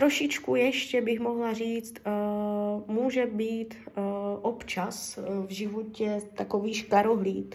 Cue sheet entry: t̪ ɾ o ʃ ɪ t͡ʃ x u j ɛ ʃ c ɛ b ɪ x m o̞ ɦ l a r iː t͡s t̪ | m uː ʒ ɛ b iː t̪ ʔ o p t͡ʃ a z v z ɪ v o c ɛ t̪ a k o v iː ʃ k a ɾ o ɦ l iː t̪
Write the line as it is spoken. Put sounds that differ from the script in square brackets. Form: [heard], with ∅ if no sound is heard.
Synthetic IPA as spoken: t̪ ɾ o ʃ ɪ t͡ʃ [k] u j ɛ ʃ c ɛ b ɪ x m o̞ ɦ l a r iː t͡s t̪ | m uː ʒ ɛ b iː t̪ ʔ o p t͡ʃ a [s] v [ʒ] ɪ v o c ɛ t̪ a k o v iː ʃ k a ɾ o ɦ l iː t̪